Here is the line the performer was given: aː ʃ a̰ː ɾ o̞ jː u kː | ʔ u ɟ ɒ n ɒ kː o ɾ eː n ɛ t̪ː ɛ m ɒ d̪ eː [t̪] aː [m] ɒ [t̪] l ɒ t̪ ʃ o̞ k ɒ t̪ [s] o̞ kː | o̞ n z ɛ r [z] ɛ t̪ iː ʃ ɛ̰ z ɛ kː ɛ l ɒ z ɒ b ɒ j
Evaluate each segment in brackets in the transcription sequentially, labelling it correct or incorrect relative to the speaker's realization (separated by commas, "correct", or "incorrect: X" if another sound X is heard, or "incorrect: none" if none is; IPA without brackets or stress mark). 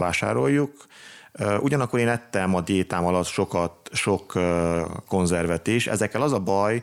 correct, correct, incorrect: none, incorrect: ʃ, incorrect: v